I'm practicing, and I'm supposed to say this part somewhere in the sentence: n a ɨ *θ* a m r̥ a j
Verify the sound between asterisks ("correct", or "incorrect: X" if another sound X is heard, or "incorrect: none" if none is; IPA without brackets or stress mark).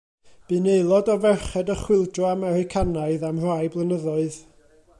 incorrect: ð